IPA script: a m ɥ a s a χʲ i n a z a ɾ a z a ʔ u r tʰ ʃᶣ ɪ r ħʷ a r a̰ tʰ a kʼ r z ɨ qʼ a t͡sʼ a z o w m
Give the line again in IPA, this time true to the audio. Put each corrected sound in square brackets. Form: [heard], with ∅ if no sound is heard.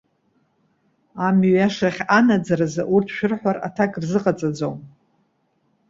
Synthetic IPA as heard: a m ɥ a [ʂ] a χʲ [a] n a [d͡z] a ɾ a z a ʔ u r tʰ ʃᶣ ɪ r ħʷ a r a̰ tʰ a kʼ r z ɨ qʼ a t͡sʼ a [d͡z] o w m